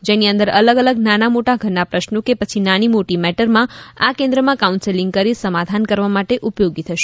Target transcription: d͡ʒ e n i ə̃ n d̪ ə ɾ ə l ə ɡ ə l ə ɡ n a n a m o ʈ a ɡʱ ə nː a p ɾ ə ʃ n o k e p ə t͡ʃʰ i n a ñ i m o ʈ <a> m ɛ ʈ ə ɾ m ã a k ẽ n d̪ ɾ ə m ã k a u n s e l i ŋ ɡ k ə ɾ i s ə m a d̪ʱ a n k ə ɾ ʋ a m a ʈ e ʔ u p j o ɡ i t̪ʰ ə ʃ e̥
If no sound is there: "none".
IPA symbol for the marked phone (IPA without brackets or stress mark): i